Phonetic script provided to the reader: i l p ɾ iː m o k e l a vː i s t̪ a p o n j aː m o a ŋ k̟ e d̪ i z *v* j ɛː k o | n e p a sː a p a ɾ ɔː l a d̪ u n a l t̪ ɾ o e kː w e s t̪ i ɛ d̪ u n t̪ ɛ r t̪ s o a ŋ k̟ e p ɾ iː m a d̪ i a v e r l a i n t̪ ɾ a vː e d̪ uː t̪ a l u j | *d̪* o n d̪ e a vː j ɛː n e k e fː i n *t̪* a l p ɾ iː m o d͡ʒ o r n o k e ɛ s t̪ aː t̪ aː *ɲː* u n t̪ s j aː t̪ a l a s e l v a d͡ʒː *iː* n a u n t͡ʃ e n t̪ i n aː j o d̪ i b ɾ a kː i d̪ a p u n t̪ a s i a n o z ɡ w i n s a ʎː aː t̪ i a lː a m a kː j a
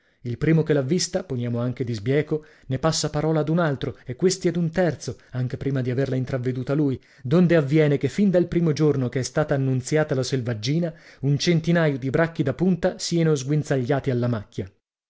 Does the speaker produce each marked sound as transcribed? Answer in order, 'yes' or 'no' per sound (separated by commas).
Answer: no, yes, no, no, yes